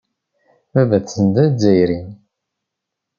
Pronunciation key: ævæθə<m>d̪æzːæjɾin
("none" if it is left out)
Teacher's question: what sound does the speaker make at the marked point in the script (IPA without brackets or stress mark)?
n